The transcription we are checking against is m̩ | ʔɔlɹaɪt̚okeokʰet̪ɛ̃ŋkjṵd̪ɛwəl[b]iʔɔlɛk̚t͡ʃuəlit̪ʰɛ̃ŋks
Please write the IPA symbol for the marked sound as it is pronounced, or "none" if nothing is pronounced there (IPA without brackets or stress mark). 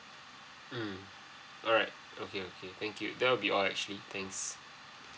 b